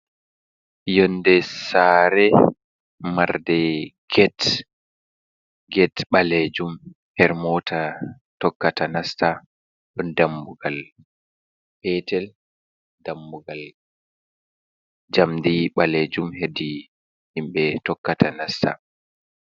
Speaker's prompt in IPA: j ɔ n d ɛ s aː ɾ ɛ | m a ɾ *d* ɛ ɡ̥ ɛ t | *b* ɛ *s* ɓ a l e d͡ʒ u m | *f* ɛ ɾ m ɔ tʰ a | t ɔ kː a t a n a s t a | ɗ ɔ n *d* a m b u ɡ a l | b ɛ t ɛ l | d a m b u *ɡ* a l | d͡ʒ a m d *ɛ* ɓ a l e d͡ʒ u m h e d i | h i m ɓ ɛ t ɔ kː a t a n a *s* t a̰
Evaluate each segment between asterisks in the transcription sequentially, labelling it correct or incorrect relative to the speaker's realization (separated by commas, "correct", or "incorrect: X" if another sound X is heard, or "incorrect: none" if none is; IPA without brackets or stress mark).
correct, incorrect: ɡ, incorrect: t, incorrect: h, correct, correct, incorrect: i, correct